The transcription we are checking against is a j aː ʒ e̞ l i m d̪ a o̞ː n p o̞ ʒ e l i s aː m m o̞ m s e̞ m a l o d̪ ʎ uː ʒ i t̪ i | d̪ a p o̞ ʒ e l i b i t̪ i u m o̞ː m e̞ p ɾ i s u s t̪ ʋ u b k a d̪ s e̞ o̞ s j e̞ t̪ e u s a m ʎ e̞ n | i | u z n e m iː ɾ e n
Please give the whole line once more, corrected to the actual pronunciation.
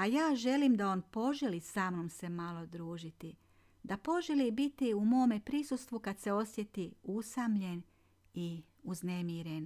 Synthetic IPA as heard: a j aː ʒ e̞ l i m d̪ a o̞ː n p o̞ ʒ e l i s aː m n o̞ m s e̞ m a l o d̪ ɾ uː ʒ i t̪ i | d̪ a p o̞ ʒ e l i b i t̪ i u m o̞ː m e̞ p ɾ i s u s t̪ ʋ u k a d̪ s e̞ o̞ s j e̞ t̪ i u s a m ʎ e̞ n | i | u z n e m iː ɾ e n